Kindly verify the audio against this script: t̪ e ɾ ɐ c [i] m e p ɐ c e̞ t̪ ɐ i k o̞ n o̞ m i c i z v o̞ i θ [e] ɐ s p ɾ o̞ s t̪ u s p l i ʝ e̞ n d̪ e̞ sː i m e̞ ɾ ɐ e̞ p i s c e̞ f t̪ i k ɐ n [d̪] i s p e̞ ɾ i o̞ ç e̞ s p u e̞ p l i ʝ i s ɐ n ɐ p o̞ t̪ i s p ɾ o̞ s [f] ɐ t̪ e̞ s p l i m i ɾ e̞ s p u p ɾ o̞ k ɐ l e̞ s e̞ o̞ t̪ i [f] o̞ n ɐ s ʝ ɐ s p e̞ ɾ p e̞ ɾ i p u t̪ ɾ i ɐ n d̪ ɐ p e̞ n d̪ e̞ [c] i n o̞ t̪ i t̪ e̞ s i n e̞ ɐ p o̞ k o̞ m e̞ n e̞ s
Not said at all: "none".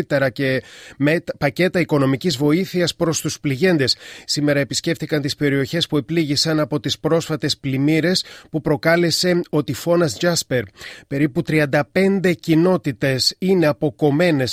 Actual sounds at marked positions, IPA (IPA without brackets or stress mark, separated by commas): e, i, t̪, f, f, c